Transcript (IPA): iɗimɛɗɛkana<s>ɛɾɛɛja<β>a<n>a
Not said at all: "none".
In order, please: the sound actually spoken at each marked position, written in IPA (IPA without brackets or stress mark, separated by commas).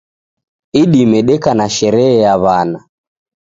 ʃ, β, n